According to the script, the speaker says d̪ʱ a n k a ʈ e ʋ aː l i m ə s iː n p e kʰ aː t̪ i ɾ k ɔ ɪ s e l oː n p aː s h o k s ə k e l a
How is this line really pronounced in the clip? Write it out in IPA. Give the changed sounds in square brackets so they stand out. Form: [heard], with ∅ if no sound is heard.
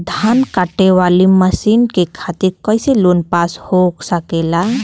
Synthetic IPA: d̪ʱ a n k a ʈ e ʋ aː l i m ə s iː n [k] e kʰ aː t̪ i ɾ k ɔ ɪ s e l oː n p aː s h o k s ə k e l a